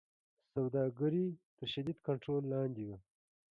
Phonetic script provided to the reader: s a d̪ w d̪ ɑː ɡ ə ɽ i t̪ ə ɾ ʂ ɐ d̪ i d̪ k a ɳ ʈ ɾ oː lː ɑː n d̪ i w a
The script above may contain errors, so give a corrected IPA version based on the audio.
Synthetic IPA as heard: s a w d̪ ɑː ɡ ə ɾ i t̪ ə ɾ ʃ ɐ d̪ i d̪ k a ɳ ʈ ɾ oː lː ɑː n d̪ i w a